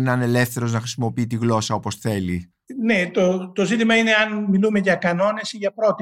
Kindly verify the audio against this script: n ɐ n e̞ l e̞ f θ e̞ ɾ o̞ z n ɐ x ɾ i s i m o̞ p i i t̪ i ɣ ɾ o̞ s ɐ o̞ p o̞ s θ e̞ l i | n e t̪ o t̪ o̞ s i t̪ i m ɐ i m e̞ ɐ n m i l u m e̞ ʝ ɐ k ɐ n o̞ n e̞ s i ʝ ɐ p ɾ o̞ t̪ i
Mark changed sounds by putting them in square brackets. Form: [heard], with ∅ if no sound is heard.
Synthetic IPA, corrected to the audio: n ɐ n e̞ l e̞ f θ e̞ ɾ o̞ z n ɐ x ɾ i s i m o̞ p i i t̪ i ɣ [l] o̞ s ɐ o̞ p o̞ s θ e̞ l i | n e t̪ o t̪ o̞ [z] i t̪ i m ɐ i [n] e̞ ɐ n m i l u m e̞ ʝ ɐ k ɐ n o̞ n e̞ s i ʝ ɐ p ɾ o̞ t̪ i